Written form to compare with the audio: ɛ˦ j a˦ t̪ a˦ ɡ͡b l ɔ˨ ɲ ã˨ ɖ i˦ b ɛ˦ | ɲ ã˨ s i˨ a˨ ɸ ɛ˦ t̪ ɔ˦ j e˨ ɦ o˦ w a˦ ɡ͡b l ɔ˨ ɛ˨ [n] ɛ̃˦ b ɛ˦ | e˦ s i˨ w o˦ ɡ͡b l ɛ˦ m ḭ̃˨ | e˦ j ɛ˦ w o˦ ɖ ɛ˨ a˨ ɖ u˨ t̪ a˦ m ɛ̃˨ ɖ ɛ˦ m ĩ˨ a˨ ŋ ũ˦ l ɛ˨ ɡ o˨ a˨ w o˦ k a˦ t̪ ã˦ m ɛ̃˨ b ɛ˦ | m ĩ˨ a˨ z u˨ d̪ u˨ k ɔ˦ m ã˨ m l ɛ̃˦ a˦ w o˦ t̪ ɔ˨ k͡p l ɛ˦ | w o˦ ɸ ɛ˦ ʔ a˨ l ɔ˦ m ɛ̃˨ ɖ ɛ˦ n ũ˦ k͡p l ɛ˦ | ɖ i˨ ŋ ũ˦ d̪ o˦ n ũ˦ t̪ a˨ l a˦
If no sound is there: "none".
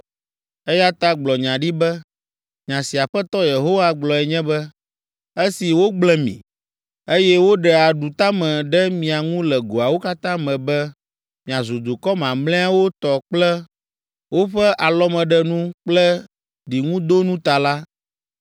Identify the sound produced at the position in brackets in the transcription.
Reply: ɲ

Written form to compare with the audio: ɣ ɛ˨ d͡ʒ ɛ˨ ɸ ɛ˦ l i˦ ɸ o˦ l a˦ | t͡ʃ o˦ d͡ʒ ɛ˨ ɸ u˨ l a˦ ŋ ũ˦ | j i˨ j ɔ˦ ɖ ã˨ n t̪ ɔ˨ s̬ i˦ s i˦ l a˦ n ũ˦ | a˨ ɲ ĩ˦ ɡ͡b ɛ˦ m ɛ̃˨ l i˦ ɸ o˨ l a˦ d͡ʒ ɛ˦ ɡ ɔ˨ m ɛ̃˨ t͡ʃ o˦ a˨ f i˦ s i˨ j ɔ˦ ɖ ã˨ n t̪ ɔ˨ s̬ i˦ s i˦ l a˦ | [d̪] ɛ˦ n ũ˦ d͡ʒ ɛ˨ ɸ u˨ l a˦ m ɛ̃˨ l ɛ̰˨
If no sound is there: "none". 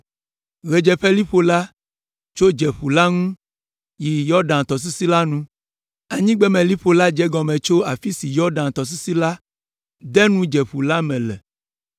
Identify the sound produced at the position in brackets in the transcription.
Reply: d̪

